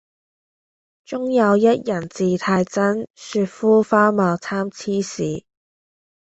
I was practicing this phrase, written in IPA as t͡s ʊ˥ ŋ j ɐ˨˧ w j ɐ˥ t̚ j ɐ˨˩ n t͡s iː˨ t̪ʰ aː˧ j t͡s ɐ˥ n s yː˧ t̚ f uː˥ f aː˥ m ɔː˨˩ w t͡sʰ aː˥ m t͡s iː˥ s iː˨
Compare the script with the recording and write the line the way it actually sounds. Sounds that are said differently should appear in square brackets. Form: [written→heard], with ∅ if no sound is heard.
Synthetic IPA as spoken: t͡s ʊ˥ ŋ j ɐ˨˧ w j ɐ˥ t̚ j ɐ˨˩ n t͡s iː˨ t̪ʰ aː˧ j t͡s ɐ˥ n s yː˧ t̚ f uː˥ f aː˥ m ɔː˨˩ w t͡sʰ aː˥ m [t͡s→t͡sʰ] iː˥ s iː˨